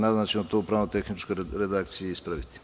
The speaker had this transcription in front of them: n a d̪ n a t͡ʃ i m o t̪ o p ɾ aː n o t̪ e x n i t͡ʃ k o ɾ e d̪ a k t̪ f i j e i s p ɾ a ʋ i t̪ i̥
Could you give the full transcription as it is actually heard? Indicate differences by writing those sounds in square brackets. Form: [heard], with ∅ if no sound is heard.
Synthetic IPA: n a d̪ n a t͡ʃ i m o t̪ o p ɾ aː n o t̪ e x n i t͡ʃ k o ɾ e d̪ a k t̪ [s] i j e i s p ɾ a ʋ i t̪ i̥